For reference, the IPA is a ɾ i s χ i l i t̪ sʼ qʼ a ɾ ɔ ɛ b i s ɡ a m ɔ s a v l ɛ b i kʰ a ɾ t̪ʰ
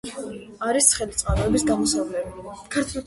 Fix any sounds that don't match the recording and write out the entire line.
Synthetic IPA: a ɾ i s χ ɛ l i t̪ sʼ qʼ a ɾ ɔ ɛ b i s ɡ a m ɔ s a v l ɛ b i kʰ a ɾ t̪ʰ